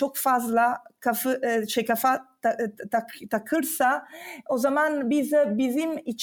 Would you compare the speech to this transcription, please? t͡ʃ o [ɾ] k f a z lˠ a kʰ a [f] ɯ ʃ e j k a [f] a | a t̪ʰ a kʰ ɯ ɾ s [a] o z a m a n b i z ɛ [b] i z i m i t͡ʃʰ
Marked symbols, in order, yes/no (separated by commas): no, yes, yes, yes, yes